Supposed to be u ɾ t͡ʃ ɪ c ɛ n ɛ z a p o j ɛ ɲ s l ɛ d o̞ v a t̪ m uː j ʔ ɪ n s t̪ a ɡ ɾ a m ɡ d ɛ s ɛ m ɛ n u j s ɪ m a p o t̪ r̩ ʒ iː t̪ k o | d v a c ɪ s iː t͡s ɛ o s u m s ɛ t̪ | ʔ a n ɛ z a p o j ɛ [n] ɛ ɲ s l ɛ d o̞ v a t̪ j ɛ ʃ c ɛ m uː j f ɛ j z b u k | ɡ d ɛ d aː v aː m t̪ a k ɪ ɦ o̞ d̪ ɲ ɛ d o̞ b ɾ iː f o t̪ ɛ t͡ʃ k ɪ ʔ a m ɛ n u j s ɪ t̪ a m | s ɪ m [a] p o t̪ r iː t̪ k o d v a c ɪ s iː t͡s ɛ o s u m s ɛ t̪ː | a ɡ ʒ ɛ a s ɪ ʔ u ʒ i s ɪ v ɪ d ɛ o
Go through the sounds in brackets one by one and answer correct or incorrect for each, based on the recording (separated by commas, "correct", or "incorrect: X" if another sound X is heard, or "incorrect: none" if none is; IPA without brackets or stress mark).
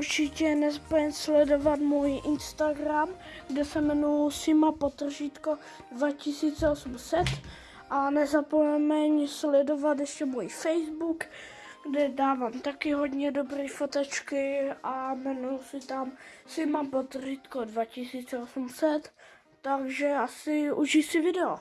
incorrect: m, correct